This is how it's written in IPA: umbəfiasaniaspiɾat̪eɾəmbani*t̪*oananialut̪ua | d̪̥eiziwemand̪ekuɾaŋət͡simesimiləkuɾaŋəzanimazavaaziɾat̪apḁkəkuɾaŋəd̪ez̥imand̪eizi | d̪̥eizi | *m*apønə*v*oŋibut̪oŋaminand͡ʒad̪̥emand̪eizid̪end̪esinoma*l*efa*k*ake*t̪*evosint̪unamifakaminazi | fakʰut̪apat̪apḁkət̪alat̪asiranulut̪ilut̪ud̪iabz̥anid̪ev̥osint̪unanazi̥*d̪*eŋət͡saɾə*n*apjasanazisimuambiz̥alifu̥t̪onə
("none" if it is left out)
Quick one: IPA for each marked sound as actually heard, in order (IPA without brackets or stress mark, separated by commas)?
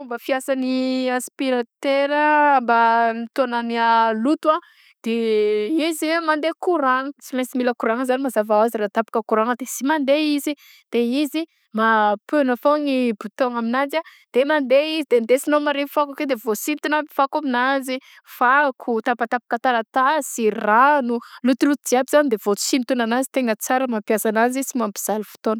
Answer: t̪, m, f, ɾ, k, d̪, t̪, m